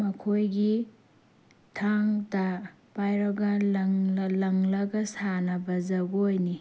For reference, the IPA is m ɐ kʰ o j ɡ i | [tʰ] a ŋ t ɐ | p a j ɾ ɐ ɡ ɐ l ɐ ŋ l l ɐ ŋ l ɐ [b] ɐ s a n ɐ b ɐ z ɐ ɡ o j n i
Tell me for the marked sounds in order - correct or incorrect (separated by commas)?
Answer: correct, incorrect